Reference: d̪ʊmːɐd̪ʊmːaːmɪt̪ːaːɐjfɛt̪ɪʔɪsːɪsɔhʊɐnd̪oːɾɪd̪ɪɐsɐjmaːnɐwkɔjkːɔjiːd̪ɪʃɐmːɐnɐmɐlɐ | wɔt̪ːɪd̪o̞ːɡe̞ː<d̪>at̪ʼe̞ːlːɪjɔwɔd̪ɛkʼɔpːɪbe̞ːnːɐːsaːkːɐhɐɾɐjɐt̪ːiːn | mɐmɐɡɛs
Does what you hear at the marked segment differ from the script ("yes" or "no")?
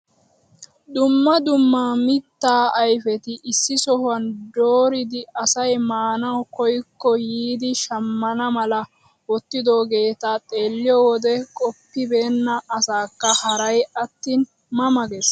yes